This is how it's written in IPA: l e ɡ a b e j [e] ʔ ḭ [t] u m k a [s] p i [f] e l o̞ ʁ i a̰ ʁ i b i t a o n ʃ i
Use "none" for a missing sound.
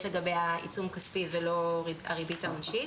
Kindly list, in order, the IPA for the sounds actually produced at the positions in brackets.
a, t͡s, s, v

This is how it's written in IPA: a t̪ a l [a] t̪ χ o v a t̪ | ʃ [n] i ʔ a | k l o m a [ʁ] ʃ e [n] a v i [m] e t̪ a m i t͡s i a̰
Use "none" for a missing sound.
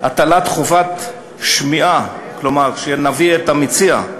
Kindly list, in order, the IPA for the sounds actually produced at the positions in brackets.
a, m, ʁ, n, none

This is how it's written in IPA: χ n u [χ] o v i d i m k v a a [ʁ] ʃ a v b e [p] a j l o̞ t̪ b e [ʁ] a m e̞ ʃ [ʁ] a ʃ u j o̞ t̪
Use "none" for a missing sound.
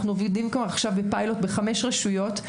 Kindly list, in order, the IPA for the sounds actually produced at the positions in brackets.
none, χ, p, χ, ʁ

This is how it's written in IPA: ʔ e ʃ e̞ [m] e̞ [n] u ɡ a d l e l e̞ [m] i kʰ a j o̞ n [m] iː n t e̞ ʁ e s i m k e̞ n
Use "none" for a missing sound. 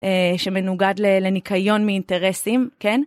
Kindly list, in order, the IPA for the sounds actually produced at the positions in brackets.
m, n, n, m

